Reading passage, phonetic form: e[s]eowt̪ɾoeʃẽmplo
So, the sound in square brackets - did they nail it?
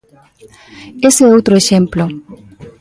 yes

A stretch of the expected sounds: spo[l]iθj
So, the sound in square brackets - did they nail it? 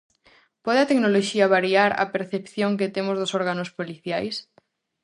yes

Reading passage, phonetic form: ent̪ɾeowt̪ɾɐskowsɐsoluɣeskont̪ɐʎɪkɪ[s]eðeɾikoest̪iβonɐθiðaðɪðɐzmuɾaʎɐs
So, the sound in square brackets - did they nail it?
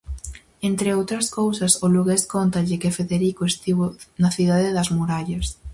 no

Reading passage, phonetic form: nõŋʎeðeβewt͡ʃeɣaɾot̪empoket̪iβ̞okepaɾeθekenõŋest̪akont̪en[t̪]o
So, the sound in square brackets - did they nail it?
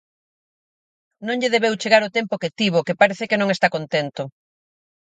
yes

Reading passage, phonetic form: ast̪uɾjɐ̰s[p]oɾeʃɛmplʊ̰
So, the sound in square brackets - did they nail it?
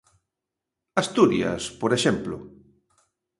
yes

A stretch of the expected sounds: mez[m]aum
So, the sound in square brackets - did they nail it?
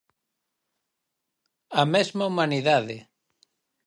yes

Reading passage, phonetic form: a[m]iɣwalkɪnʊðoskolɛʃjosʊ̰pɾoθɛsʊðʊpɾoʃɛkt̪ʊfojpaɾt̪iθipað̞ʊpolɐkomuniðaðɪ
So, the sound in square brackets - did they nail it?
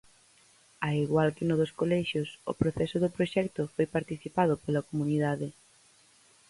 no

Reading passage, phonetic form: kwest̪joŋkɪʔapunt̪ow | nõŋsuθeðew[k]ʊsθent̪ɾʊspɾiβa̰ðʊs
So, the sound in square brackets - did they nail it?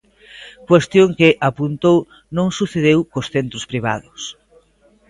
yes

